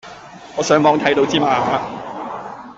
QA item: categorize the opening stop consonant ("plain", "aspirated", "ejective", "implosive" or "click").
aspirated